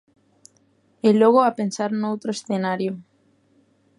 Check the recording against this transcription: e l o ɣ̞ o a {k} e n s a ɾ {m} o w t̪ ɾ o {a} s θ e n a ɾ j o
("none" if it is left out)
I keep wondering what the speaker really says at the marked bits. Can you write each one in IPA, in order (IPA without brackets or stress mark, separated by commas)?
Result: p, n, e